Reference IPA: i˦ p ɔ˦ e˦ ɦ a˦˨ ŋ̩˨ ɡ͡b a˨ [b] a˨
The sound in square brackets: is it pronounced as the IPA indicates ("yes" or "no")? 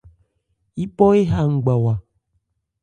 no